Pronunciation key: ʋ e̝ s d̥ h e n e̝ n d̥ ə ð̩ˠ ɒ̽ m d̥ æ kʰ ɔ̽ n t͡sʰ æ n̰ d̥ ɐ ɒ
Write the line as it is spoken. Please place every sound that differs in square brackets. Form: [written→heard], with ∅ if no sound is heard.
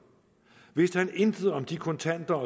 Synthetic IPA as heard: ʋ e̝ s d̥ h [e→æ] n e̝ n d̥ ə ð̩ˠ ɒ̽ m d̥ [æ→i] kʰ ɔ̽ n t͡sʰ æ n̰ d̥ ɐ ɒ